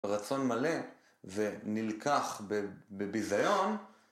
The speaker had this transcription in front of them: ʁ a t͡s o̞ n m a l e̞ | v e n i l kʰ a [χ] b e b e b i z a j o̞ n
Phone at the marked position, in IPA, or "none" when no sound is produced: χ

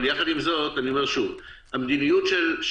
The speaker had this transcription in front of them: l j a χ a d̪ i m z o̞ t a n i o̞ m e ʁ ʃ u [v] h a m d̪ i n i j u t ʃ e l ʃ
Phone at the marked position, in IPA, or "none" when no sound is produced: v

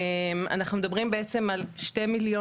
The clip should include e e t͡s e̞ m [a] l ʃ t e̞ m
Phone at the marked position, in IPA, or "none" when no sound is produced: a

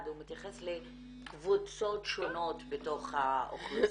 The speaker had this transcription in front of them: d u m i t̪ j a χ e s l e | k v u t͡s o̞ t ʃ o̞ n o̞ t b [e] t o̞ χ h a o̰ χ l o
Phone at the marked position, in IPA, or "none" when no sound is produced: e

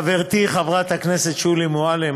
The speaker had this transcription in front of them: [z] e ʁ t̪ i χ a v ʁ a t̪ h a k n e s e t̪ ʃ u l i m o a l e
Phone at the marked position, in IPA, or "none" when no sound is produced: v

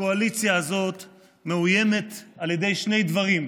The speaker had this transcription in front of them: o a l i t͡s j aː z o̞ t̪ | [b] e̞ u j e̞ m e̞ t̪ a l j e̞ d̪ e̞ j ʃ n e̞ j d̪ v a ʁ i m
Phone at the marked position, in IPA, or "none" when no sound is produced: m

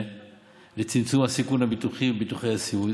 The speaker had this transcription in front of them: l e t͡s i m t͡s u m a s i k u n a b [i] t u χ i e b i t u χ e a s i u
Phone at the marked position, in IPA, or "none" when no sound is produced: i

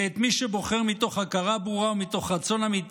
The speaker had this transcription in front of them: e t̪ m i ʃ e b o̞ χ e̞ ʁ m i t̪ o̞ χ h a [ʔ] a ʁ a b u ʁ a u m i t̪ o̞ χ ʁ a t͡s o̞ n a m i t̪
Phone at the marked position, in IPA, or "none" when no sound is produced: k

